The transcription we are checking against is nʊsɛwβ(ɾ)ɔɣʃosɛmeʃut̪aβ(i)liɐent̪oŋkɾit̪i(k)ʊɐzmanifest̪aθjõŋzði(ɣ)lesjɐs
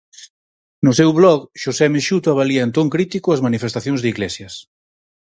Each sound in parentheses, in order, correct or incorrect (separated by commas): incorrect, incorrect, correct, correct